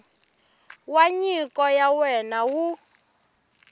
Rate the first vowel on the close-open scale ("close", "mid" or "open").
open